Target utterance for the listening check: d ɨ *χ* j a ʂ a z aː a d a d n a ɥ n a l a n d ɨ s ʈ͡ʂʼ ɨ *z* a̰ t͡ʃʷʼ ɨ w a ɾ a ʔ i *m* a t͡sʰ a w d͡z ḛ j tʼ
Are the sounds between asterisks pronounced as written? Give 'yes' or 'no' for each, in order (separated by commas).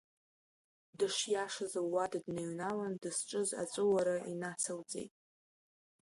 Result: no, yes, no